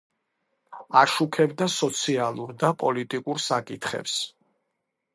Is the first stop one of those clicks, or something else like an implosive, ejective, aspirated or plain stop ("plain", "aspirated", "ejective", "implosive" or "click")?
aspirated